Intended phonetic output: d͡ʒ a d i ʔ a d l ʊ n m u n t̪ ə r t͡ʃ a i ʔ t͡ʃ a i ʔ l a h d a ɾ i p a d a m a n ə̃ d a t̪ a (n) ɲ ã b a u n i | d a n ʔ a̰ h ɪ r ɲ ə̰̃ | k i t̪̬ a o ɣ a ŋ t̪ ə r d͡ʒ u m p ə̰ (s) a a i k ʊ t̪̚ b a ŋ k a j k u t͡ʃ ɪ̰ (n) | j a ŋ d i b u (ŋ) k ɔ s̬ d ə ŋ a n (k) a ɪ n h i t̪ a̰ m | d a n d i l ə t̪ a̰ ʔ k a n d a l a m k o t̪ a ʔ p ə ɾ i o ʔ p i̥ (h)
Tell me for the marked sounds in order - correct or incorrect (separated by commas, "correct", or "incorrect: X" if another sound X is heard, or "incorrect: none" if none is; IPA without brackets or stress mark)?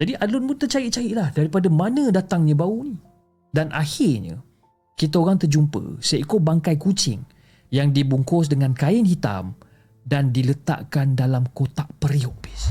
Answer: incorrect: ŋ, correct, incorrect: ŋ, correct, correct, incorrect: s